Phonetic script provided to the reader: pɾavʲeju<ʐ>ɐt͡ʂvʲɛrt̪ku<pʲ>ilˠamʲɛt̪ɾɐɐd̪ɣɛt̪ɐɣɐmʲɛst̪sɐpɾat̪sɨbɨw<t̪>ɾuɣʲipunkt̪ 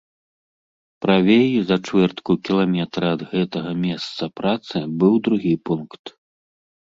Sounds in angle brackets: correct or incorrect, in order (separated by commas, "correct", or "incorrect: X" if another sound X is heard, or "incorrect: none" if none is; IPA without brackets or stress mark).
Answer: incorrect: z, incorrect: kʲ, incorrect: d̪